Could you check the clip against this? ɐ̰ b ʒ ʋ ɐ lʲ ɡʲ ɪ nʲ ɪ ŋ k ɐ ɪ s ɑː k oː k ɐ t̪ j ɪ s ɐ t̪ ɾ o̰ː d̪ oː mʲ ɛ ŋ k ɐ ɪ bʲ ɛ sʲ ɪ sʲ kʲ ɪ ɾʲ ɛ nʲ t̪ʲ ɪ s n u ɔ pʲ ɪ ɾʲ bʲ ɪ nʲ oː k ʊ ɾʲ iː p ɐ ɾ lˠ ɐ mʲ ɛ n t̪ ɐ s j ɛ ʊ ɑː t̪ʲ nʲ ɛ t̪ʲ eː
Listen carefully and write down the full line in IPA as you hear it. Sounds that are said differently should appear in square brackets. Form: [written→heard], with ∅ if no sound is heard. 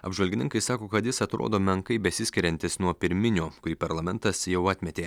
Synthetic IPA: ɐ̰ b ʒ ʋ ɐ lʲ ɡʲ ɪ nʲ ɪ ŋ k ɐ ɪ s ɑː k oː k ɐ t̪ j ɪ s ɐ t̪ ɾ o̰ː d̪ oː mʲ ɛ ŋ k ɐ ɪ bʲ ɛ sʲ ɪ sʲ kʲ ɪ ɾʲ ɛ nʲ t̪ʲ ɪ s n u ɔ pʲ ɪ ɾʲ [bʲ→mʲ] ɪ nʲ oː k ʊ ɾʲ iː p ɐ ɾ lˠ ɐ mʲ ɛ n t̪ ɐ s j ɛ ʊ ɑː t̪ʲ [nʲ→mʲ] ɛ t̪ʲ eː